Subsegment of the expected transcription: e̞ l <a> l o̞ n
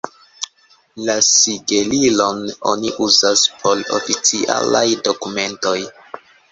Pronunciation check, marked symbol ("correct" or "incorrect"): incorrect